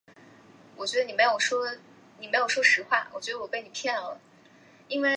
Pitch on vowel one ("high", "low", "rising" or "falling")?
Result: low